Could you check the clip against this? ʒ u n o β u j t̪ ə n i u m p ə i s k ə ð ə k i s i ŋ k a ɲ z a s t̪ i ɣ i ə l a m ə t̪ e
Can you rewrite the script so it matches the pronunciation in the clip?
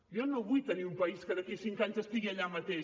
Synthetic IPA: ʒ ɔ n o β u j t̪ ə n i u m p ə i s k ə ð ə k i s i ŋ k a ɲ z ə s t̪ i ɣ i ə ʎ a m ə t̪ e